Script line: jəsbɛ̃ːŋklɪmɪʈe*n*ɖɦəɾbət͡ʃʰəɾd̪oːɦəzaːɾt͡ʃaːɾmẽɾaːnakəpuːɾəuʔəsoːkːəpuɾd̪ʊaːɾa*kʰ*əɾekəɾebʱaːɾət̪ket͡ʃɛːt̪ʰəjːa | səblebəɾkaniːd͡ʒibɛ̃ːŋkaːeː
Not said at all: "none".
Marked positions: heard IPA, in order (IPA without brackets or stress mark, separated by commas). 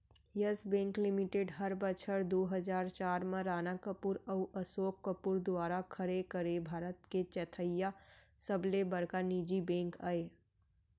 none, kʰ